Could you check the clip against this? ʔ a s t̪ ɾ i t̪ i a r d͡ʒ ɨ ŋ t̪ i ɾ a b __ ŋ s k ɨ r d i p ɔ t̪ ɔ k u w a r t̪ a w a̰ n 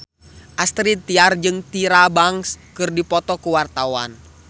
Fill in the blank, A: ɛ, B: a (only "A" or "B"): B